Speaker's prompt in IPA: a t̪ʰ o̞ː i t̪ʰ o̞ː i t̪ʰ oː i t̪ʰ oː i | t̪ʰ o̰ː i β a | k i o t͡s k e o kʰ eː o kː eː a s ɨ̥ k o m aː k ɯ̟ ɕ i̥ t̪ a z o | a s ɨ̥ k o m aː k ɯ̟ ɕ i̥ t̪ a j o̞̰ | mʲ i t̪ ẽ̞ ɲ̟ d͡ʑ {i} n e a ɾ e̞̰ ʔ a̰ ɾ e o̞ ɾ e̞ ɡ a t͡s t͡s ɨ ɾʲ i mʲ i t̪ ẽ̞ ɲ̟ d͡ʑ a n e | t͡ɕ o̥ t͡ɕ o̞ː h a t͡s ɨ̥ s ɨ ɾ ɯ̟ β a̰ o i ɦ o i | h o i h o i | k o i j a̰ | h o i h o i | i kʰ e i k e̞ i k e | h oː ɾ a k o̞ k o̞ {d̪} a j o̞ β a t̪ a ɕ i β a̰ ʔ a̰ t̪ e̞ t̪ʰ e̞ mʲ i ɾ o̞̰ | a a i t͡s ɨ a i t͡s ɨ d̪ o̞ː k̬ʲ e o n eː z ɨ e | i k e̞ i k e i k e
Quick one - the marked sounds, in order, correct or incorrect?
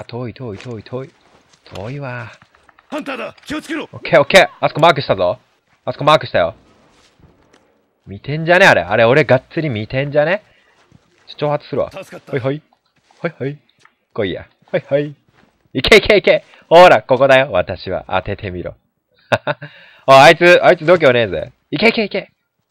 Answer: incorrect: a, correct

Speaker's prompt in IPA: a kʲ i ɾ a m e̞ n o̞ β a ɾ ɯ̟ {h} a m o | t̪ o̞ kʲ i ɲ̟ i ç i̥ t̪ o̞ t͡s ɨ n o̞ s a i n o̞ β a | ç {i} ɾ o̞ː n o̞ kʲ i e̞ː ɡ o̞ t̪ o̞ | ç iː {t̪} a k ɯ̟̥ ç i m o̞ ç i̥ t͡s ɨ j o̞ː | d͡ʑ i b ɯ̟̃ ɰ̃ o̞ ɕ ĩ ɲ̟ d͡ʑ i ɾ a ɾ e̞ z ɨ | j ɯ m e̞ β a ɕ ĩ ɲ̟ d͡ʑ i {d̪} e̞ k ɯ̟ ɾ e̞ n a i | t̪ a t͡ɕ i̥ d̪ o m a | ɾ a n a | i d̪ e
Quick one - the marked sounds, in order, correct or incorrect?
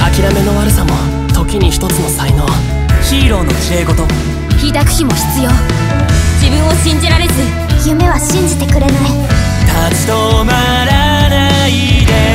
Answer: incorrect: s, incorrect: iː, incorrect: d̪, incorrect: t̪

